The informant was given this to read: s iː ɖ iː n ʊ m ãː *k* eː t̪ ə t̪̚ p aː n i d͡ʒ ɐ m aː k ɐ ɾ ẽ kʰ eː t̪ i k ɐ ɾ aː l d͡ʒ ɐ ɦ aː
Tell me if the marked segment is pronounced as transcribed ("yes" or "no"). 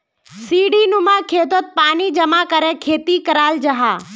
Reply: no